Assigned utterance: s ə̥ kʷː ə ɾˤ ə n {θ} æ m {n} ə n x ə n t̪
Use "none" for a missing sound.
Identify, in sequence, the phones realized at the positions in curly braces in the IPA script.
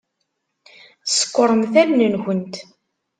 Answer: θ, n

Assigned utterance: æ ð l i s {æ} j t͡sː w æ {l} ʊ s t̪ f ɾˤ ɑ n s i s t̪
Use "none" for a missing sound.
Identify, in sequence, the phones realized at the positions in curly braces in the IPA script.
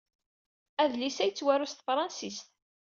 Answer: æ, ɾ

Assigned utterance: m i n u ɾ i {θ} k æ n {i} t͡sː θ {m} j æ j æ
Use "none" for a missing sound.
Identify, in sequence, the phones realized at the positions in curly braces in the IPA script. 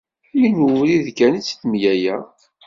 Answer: ð, i, m

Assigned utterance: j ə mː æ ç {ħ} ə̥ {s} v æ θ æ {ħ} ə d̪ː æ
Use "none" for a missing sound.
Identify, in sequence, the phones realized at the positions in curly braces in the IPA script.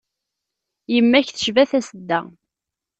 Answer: θ, ʃ, s

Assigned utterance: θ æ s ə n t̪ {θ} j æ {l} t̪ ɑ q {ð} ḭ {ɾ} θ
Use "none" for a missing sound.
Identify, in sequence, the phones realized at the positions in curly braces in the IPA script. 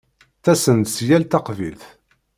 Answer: s, l, v, l

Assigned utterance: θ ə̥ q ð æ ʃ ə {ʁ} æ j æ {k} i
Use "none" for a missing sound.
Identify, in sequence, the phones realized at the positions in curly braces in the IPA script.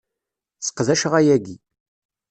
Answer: ʁ, ɡ

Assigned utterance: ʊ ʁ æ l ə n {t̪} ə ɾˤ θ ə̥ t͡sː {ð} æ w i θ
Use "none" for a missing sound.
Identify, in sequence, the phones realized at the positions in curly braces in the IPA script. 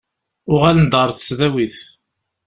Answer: d̪, ð

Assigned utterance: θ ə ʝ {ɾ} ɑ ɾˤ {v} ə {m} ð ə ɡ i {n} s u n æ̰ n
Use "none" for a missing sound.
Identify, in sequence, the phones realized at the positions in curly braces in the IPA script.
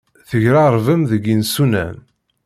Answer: ɾ, v, m, n

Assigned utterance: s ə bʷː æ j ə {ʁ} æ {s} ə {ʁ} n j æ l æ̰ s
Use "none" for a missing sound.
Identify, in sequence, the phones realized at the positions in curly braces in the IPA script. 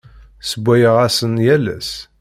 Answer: ʁ, s, none

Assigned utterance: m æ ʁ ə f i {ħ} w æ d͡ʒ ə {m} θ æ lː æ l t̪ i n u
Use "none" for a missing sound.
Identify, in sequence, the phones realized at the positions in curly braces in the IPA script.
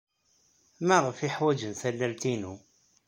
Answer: ħ, n

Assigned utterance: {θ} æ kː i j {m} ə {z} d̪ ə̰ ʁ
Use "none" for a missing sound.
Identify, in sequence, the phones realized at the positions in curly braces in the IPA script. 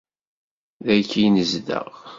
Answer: ð, n, z

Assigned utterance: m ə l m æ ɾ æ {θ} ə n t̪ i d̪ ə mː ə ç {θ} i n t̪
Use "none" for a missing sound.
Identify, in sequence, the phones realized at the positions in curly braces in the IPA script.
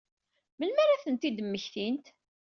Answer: θ, θ

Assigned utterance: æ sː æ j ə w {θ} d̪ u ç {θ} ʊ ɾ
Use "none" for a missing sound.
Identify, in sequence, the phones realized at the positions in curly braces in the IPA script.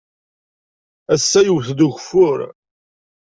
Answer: θ, f

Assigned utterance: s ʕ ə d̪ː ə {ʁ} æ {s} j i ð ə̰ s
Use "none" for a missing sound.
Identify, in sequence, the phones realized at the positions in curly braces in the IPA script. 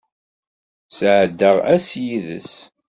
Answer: ʁ, s

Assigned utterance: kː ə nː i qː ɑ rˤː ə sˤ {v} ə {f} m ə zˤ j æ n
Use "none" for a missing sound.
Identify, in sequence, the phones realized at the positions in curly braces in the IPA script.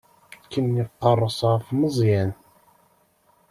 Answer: ʁ, f

